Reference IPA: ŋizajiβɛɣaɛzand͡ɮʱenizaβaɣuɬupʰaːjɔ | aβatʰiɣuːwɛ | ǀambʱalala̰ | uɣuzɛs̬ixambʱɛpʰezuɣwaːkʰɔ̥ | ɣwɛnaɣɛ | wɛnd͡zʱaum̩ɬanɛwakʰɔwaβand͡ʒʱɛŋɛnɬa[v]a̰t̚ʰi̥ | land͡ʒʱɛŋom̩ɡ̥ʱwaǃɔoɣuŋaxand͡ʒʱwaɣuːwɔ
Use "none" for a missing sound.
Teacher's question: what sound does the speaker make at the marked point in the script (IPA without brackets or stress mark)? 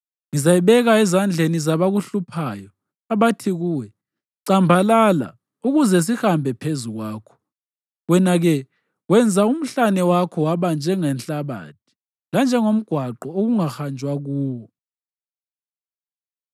β